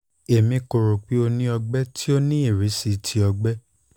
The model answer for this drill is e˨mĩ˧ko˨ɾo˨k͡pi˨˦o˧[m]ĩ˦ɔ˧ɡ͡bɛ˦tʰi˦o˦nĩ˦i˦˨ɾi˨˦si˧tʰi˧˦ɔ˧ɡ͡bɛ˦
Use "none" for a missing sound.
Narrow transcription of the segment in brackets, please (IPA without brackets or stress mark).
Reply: n